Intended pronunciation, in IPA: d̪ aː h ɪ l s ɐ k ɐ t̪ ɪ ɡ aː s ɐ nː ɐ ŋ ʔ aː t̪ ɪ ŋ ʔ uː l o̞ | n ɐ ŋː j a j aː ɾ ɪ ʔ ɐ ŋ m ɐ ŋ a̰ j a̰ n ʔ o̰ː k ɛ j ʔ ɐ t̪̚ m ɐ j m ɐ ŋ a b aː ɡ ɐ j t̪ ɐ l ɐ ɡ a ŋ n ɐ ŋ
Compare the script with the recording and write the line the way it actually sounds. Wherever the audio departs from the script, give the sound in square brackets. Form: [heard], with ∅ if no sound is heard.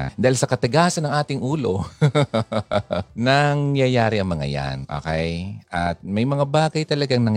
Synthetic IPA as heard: d̪ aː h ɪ l s ɐ k ɐ t̪ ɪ ɡ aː s ɐ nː ɐ ŋ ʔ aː t̪ ɪ ŋ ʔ uː l o̞ | n ɐ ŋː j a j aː ɾ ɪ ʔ ɐ ŋ m ɐ ŋ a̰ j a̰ n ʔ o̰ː k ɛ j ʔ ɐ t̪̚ m ɐ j m ɐ ŋ a b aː ɡ ɐ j t̪ ɐ l ɐ ɡ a ŋ n ɐ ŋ